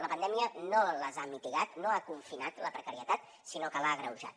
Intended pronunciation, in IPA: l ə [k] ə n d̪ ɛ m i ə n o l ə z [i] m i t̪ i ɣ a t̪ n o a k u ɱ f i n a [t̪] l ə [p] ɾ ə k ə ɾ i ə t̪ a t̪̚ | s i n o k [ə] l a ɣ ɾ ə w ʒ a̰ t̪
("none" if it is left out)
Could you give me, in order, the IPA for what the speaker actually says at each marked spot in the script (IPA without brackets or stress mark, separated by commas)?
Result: p, a, t̪, p, ə